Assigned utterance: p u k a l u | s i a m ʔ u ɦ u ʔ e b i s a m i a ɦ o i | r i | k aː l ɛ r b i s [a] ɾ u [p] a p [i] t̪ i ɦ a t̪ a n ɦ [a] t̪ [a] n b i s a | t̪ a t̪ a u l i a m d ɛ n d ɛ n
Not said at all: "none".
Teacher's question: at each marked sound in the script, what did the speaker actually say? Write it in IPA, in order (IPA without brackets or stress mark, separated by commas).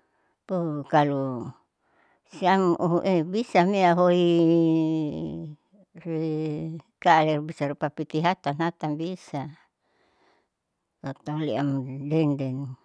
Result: a, p, i, a, a